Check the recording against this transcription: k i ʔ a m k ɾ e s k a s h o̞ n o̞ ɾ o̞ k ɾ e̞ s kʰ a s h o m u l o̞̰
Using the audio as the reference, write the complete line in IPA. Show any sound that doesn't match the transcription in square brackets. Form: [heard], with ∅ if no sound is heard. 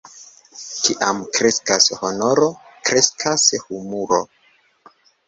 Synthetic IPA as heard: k i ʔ a m k ɾ e s k a s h o̞ n o̞ ɾ o̞ k ɾ e̞ s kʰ a s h [u] m u [ɾ] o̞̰